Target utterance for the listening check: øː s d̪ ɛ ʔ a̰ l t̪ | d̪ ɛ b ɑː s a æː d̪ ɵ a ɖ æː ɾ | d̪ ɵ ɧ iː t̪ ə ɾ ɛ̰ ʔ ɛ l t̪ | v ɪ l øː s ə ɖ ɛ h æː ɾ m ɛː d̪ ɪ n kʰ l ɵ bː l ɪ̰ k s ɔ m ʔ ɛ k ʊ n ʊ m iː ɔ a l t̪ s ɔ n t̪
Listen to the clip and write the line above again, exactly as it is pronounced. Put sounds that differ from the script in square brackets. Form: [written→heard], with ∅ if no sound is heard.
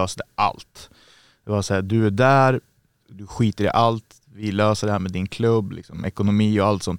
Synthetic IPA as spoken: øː s d̪ ɛ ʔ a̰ l t̪ | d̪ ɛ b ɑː s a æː d̪ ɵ [a→æ] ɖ æː ɾ | d̪ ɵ ɧ iː t̪ ə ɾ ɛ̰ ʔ [ɛ→a] l t̪ | v ɪ l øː s ə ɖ ɛ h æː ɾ m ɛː d̪ ɪ n kʰ l ɵ bː l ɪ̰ k s ɔ m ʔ ɛ k ʊ n ʊ m iː ɔ a l t̪ s ɔ n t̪